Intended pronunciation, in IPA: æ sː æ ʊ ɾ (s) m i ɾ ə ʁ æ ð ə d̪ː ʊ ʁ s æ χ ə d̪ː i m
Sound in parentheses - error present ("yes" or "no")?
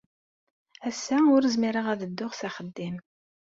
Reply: yes